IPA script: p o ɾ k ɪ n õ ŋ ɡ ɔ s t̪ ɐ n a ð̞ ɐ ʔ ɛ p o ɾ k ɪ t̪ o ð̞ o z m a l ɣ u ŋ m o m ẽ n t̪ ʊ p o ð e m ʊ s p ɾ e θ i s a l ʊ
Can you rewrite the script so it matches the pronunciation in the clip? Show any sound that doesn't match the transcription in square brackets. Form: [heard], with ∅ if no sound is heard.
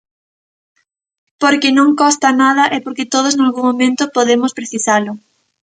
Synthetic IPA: p o ɾ k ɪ n õ ŋ [k] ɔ s t̪ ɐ n a ð̞ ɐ ʔ ɛ p o ɾ k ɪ t̪ o ð̞ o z [n] a l ɣ u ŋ m o m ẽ n t̪ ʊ p o ð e m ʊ s p ɾ e θ i s a l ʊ

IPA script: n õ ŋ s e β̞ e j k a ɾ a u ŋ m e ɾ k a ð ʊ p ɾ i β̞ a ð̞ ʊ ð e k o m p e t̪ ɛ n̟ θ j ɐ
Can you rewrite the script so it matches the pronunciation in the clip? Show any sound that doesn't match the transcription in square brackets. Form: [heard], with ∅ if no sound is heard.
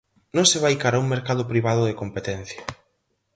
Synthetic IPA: n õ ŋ s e β̞ [a] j k a ɾ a u ŋ m e ɾ k a ð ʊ p ɾ i β̞ a ð̞ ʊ ð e k o m p e t̪ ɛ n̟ θ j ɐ

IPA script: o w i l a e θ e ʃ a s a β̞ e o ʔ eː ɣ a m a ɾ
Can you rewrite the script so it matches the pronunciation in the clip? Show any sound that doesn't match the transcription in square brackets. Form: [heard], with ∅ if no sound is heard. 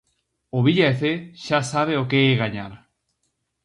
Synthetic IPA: o [β] i [ʎ] a e θ e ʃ a s a β̞ e o [k] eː ɣ a [ɲ] a ɾ

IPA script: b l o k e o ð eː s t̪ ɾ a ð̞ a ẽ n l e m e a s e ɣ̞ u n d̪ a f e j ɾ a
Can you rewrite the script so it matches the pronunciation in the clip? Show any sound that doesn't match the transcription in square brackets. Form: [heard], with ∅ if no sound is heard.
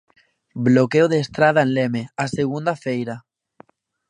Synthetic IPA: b l o k e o ð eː s t̪ ɾ a ð̞ a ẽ n l e m e a s e ɣ̞ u n d̪ a f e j ɾ a

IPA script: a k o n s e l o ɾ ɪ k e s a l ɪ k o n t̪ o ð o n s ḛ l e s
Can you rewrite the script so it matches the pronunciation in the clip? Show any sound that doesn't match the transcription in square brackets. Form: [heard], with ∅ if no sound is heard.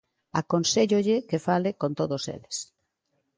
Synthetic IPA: a k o n s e [ʎ] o [ʎ] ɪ k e [f] a l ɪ k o n t̪ o ð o [∅] s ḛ l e s

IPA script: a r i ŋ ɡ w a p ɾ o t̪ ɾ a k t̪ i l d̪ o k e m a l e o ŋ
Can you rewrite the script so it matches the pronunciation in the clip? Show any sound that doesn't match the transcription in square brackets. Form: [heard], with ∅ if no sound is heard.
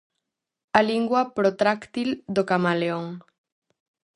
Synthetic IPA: a [l] i ŋ ɡ w a p ɾ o t̪ ɾ a k t̪ i l d̪ o k [a] m a l e o ŋ

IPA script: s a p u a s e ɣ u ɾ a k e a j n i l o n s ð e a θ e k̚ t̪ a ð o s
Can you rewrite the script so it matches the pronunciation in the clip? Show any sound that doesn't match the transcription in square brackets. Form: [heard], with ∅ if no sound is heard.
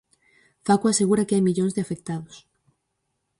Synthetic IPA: [f] a [k] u a s e ɣ u ɾ a k e a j [m] i [ʎ] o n [z] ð e a [f] e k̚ t̪ a ð o s

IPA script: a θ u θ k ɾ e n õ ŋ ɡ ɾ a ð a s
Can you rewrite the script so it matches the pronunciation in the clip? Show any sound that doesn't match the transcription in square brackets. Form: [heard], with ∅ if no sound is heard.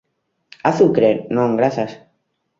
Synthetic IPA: a θ u [∅] k ɾ e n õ ŋ ɡ ɾ a [θ] a s

